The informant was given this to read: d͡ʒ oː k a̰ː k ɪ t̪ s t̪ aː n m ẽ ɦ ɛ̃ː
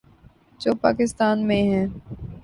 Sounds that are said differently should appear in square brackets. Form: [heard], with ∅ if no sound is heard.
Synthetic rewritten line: d͡ʒ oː [p] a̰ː k ɪ [∅] s t̪ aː n m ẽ ɦ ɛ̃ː

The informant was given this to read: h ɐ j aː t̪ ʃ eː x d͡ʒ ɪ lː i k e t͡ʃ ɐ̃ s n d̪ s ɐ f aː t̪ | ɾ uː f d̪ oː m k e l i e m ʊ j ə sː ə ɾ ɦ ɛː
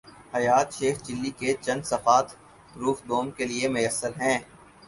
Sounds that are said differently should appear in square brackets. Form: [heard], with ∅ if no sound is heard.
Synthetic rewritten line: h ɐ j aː t̪ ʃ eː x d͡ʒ ɪ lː i k e t͡ʃ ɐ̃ [∅] n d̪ s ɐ f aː t̪ | ɾ uː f d̪ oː m k e l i e m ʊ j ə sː ə ɾ ɦ [ɛ̃ː]

